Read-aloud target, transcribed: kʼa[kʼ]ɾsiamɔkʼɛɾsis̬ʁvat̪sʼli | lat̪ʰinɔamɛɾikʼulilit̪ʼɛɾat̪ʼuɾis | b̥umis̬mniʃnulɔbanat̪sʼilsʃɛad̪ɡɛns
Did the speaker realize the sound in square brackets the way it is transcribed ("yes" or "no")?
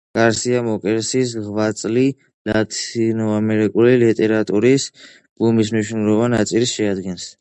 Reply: no